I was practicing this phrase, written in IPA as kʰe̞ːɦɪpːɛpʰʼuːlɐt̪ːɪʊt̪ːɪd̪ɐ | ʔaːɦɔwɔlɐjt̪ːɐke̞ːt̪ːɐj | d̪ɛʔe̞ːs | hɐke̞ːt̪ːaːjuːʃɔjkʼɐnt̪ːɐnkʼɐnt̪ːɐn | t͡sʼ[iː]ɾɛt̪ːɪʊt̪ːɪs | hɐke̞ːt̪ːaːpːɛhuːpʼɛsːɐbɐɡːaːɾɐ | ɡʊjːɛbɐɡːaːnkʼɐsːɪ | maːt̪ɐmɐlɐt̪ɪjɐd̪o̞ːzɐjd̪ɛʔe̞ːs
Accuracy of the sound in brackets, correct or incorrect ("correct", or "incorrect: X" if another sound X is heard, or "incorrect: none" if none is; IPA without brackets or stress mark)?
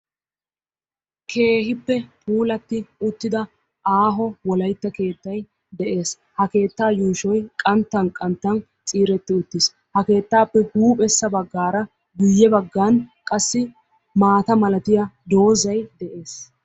correct